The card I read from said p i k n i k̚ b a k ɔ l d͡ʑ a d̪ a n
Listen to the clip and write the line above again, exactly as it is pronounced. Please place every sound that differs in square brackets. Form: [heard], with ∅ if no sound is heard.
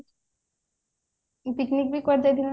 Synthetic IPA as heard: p i k n i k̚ b [i] k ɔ [ɾ] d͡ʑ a d̪ [i] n